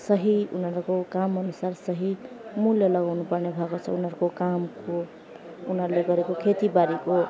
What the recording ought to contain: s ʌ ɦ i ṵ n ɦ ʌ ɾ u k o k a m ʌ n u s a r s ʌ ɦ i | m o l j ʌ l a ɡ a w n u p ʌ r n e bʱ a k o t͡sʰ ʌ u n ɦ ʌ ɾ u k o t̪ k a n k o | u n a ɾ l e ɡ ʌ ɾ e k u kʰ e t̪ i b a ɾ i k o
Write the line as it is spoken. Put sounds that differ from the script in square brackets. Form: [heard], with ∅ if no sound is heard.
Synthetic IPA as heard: s ʌ ɦ i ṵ n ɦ ʌ ɾ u k o k a m ʌ n u s a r s ʌ ɦ i | m [u] l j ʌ l [ʌ] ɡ a w n u p ʌ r n e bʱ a k o t͡sʰ ʌ u n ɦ ʌ ɾ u k o [∅] k a [m] k o | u n [ʌ] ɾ l e ɡ ʌ ɾ e k [o] kʰ e t̪ i b a ɾ i k o

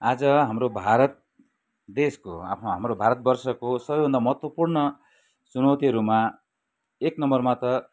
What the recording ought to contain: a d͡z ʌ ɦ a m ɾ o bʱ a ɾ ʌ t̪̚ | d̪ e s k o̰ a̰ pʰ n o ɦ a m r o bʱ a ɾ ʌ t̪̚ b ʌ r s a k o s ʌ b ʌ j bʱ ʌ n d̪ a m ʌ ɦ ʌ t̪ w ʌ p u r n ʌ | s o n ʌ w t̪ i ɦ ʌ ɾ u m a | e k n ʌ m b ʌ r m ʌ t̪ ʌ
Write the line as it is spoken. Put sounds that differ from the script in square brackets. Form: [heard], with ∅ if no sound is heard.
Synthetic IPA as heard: a d͡z ʌ ɦ a m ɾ o bʱ a ɾ ʌ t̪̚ | d̪ e s k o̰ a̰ pʰ n o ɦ a m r o bʱ a ɾ ʌ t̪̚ b ʌ r s [ʌ] k o s ʌ b ʌ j bʱ ʌ n d̪ a m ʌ ɦ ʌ t̪ w ʌ p u r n ʌ | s [u] n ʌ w t̪ i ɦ ʌ ɾ u m a | e k n ʌ m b ʌ r m [a] t̪ ʌ

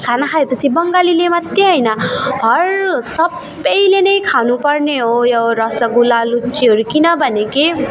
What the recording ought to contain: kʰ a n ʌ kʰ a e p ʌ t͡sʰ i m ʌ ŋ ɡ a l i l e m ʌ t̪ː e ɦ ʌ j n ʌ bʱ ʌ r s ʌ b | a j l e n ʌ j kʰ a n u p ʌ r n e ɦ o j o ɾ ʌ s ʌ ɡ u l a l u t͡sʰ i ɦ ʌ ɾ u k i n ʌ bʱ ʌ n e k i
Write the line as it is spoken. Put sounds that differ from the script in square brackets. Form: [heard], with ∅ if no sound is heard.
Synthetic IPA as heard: kʰ a n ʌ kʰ a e p ʌ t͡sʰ i [b] ʌ ŋ ɡ a l i l e m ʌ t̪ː e ɦ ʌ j n ʌ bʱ ʌ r s ʌ b | [ʌ] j l e n ʌ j kʰ a n u p ʌ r n e ɦ o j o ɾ ʌ s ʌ ɡ u l a l u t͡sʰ i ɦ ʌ ɾ u k i n ʌ bʱ ʌ n e k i

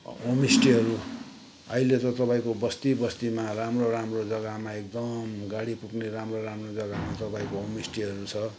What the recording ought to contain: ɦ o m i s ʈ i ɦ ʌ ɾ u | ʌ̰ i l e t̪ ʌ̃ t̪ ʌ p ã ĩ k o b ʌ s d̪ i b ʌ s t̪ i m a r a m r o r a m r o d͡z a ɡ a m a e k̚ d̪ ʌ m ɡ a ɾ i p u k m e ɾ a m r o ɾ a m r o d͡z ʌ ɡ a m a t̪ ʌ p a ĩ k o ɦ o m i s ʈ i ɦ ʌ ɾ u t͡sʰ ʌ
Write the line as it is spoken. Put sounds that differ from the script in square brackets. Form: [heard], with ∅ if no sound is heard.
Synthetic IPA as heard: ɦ o m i s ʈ i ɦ ʌ ɾ u | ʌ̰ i l e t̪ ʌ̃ t̪ ʌ p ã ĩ k o b ʌ s [t̪] i b ʌ s t̪ i m a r a m r o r a m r o d͡z [ʌ] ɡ a m a e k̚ d̪ ʌ m ɡ a [ɽ] i p u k [n] e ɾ a m r o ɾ a m r o d͡z ʌ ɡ a m a t̪ ʌ p a ĩ k o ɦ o m i s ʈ i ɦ ʌ ɾ u t͡sʰ ʌ

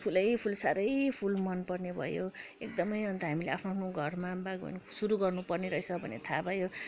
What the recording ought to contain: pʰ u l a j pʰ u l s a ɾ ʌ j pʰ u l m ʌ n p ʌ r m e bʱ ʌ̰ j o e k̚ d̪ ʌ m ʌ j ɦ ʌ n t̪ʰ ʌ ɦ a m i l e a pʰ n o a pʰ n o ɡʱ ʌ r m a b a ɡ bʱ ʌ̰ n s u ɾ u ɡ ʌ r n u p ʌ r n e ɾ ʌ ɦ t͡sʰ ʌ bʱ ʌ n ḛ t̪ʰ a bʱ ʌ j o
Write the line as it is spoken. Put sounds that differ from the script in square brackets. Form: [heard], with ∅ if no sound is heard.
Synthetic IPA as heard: pʰ u l [ʌ] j pʰ u l s a ɾ ʌ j pʰ u l m ʌ n p ʌ r [n] e bʱ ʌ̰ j o e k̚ d̪ ʌ m ʌ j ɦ ʌ n [t̪] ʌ ɦ a m i l e a pʰ n o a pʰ n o ɡʱ ʌ r m a b a ɡ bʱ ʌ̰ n s u ɾ u ɡ ʌ r n u p ʌ r n e ɾ ʌ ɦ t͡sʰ ʌ bʱ ʌ n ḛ t̪ʰ a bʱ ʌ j o

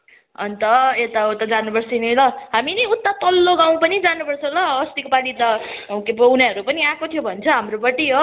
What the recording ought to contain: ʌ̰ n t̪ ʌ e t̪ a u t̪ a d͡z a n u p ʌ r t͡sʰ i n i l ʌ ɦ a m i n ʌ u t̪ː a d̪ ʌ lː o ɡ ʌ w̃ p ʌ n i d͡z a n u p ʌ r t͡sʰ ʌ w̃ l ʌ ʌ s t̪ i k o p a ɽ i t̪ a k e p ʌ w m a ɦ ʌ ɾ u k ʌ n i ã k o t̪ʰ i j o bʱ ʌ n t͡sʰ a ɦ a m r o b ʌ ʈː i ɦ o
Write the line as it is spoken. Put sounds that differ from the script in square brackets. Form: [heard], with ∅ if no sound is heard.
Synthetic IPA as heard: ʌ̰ n t̪ ʌ e t̪ a u t̪ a d͡z a n u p ʌ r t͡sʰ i n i l ʌ ɦ a m i n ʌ u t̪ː a [t̪] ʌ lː o ɡ [a] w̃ p ʌ n i d͡z a n u p ʌ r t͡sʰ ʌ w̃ l ʌ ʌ s t̪ i k o p a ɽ i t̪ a k e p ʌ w [n] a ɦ ʌ ɾ u [p] ʌ n i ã k o t̪ʰ i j o bʱ ʌ n t͡sʰ [ʌ] ɦ a m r o b ʌ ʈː i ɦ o

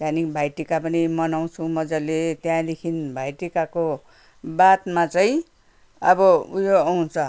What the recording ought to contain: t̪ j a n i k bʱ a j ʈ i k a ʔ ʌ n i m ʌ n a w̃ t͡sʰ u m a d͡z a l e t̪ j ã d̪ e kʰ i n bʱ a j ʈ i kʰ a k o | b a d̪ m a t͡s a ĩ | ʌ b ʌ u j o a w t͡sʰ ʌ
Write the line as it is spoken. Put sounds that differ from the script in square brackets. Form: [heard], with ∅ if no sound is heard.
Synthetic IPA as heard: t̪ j a n i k bʱ a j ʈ i k a [p] ʌ n i m ʌ n a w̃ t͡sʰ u m [ʌ] d͡z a l e t̪ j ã d̪ e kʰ i n bʱ a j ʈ i [k] a k o | b a [t̪] m a t͡s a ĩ | ʌ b ʌ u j o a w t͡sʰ ʌ

